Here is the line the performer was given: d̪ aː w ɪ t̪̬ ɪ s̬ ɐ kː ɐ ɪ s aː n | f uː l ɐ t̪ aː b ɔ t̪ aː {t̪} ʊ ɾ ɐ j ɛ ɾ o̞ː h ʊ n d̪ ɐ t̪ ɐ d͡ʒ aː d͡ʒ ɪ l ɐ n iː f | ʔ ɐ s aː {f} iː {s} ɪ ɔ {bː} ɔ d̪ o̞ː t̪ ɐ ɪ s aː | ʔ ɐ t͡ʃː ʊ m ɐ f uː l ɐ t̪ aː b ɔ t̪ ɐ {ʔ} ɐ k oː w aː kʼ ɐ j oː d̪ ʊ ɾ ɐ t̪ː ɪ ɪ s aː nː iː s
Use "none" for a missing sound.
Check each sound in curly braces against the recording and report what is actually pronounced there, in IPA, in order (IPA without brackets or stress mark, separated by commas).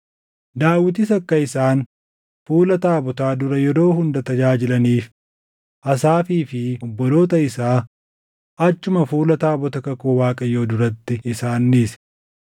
d̪, f, f, bː, k